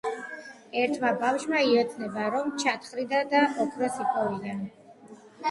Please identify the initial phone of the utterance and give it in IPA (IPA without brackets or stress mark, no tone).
ɛ